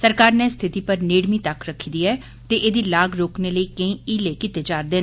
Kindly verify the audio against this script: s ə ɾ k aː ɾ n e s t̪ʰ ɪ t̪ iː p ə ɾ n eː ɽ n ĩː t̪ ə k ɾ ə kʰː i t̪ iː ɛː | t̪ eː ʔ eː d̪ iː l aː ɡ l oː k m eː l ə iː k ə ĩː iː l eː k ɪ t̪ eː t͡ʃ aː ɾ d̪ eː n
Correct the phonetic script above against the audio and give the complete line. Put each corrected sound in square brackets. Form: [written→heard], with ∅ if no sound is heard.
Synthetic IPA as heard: s ə ɾ k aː ɾ n e s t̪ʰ ɪ t̪ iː p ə ɾ n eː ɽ [n→m] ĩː t̪ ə k ɾ ə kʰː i [t̪→d̪] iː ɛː | t̪ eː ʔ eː d̪ iː l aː ɡ [l→ɾ] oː k [m→n] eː l ə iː k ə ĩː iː l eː k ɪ t̪ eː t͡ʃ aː ɾ d̪ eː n